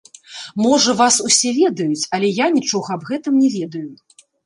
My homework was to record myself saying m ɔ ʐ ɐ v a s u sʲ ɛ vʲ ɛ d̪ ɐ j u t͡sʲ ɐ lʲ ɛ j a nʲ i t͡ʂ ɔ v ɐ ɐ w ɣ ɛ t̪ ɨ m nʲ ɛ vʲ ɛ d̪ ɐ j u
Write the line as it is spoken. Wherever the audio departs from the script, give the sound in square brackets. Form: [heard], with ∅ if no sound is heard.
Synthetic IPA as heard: m ɔ ʐ ɐ v a s u sʲ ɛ vʲ ɛ d̪ ɐ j u t͡sʲ ɐ lʲ ɛ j a nʲ i t͡ʂ ɔ [ɣ] ɐ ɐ [b] ɣ ɛ t̪ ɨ m nʲ ɛ vʲ ɛ d̪ ɐ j u